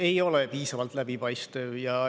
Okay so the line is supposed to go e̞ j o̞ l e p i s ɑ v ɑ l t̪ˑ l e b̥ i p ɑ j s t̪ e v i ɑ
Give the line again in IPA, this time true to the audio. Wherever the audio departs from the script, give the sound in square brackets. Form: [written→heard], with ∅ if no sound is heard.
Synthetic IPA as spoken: e̞ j o̞ l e p [i→iː] s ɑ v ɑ l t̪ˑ l [e→æ] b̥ i p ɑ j s t̪ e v [i→j] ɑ